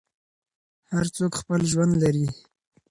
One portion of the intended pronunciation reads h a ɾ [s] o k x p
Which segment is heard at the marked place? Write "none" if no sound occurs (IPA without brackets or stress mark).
t͡s